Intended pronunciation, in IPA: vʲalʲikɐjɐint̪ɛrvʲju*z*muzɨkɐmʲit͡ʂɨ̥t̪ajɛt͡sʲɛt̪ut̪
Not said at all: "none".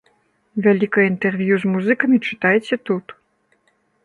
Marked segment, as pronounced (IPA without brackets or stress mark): z